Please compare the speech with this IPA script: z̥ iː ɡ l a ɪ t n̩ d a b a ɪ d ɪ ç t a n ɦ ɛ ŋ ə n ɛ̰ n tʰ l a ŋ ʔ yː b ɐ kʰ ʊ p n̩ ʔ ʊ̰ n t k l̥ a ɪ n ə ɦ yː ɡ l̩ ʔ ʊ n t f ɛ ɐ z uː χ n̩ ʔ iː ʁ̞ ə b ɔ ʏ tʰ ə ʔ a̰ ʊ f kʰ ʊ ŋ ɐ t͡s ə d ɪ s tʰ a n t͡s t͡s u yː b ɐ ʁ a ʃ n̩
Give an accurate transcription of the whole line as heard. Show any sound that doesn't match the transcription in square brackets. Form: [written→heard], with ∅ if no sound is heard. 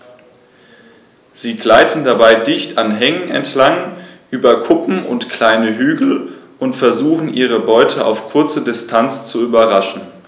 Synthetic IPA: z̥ iː ɡ l a ɪ t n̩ d a b a ɪ d ɪ ç t a n ɦ ɛ ŋ ə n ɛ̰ n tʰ l a ŋ ʔ yː b ɐ kʰ ʊ p [n̩→m̩] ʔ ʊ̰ n t k l̥ a ɪ n ə ɦ yː ɡ l̩ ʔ ʊ n t f ɛ ɐ z uː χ n̩ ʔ iː ʁ̞ ə b ɔ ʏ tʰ ə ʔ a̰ ʊ f kʰ ʊ [ŋ→∅] ɐ t͡s ə d ɪ s tʰ a n t͡s t͡s u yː b ɐ ʁ a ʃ n̩